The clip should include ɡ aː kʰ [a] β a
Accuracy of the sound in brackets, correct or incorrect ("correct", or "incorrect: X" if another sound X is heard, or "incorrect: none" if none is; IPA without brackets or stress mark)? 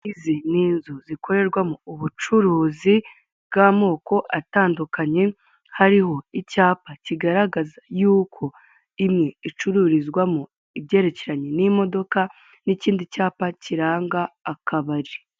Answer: correct